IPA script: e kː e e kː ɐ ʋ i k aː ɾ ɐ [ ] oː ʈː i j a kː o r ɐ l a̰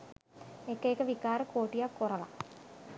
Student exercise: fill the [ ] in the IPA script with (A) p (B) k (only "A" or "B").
B